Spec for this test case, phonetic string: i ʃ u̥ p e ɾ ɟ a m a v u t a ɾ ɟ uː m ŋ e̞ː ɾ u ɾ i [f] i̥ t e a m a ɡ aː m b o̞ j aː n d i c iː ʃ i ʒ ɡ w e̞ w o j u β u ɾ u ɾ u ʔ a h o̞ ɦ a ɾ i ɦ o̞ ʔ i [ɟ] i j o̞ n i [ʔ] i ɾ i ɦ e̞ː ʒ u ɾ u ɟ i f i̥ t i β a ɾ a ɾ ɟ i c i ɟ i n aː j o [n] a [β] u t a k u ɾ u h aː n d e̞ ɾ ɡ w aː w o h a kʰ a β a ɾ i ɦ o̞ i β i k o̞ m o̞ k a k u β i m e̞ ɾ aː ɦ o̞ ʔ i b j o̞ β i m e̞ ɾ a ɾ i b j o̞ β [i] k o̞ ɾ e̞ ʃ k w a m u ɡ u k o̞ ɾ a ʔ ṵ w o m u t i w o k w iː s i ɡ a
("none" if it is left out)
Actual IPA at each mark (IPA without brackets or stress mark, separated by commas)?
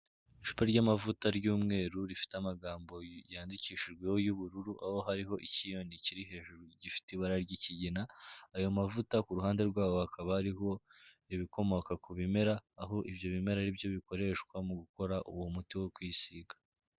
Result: f, c, c, m, v, i